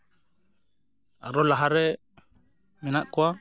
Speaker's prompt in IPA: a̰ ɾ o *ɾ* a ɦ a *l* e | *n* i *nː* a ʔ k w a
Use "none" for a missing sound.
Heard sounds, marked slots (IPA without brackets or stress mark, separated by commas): l, ɾ, m, n